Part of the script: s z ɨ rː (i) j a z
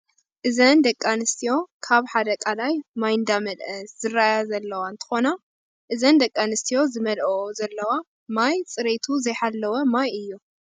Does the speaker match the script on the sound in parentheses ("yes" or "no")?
no